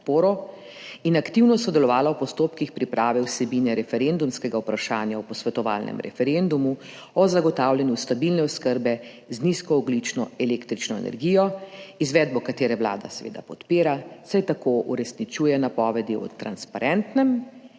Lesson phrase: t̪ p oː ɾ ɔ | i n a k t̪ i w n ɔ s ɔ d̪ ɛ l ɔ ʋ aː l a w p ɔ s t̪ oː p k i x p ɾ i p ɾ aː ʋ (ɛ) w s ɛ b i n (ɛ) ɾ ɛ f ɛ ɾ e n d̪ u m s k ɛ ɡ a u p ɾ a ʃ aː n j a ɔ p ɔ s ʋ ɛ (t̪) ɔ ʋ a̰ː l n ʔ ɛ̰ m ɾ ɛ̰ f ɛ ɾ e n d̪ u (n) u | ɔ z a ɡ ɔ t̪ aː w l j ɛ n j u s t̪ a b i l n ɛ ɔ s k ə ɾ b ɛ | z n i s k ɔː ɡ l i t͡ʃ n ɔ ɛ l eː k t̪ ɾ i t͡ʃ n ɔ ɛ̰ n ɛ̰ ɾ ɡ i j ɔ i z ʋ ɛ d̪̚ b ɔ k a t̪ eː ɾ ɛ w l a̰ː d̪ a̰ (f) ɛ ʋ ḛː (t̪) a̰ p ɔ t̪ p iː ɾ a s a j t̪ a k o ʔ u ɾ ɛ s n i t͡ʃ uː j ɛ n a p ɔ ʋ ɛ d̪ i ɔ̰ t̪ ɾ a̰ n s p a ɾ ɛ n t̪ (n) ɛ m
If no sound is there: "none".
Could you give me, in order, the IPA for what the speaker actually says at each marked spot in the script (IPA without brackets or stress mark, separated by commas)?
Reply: ɛ, ɛ, t̪, m, s, d̪, n